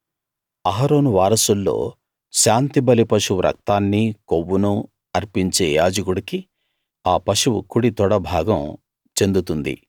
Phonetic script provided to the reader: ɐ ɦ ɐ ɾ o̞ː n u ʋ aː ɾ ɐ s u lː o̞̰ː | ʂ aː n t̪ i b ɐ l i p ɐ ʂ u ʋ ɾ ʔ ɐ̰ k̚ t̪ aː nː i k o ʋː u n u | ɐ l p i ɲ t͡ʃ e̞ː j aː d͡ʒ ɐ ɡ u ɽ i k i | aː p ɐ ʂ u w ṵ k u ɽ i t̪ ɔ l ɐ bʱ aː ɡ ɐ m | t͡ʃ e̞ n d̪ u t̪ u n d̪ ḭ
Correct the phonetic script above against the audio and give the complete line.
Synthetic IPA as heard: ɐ ɦ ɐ ɾ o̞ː n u ʋ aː ɾ ɐ s u lː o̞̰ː | ʃ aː n t̪ i b ɐ l i p ɐ ʂ u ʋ ɾ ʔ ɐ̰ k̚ t̪ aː nː i k o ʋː u n u | ɐ ɾ p i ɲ t͡ʃ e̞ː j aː d͡ʒ ɐ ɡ u ɽ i k i | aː p ɐ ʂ u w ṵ k u ɽ i t̪ ɔ ɽ ɐ bʱ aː ɡ ɐ m | t͡ʃ e̞ n d̪ u t̪ u n d̪ ḭ